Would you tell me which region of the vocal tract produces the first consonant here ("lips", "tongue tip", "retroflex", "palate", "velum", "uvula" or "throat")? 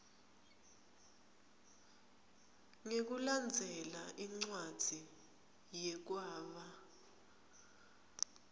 velum